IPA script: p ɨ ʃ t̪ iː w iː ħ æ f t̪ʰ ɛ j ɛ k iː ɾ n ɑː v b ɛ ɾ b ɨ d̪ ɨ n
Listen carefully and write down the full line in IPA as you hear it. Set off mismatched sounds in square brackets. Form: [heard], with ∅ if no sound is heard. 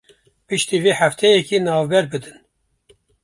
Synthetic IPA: p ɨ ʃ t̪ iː [v] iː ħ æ f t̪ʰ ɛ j ɛ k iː [∅] n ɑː v b ɛ ɾ b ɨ d̪ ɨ n